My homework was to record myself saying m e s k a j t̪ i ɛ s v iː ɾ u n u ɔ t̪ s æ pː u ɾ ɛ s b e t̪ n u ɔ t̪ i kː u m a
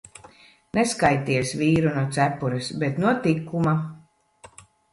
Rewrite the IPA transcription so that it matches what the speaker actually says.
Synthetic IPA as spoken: n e s k a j t̪ i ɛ s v iː ɾ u n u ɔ t̪ s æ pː u ɾ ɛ s b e t̪ n u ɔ t̪ i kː u m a